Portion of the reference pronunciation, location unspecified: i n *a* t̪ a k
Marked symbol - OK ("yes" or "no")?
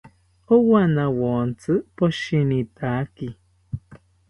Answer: no